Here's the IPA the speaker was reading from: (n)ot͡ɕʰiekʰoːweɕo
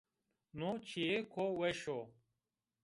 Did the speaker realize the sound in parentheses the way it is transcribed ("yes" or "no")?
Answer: yes